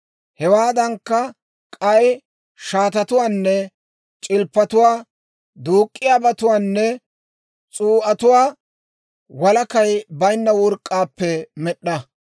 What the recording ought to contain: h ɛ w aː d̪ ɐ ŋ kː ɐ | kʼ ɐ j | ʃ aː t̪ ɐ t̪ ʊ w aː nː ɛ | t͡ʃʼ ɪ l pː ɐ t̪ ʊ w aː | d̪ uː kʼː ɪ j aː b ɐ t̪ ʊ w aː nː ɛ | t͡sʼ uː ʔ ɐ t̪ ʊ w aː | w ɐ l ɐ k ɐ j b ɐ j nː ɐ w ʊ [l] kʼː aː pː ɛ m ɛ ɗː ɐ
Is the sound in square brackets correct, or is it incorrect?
incorrect